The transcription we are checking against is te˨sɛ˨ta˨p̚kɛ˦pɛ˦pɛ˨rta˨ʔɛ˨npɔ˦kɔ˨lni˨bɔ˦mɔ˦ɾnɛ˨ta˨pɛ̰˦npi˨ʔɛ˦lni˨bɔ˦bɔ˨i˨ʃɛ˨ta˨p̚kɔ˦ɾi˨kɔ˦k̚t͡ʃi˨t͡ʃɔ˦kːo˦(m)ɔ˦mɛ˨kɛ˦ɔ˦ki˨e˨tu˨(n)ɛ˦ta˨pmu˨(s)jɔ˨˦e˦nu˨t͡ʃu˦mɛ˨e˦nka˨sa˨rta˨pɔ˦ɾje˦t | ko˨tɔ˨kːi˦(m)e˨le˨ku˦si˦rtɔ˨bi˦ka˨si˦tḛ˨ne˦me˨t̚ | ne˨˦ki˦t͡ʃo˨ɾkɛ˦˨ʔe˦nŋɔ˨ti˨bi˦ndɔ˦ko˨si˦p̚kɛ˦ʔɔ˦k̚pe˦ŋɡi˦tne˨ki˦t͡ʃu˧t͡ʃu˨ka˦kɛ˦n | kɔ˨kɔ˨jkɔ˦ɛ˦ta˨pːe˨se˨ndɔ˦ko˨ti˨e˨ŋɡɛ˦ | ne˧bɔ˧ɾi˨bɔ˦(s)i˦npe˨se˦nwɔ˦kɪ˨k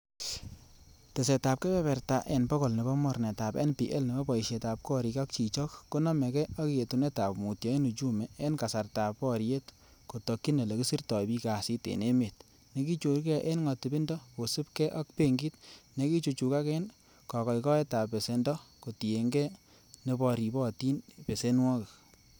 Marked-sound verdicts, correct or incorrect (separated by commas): incorrect, correct, incorrect, incorrect, incorrect